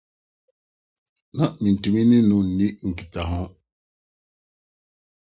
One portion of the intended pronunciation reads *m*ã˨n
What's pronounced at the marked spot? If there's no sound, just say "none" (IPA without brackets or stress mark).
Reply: n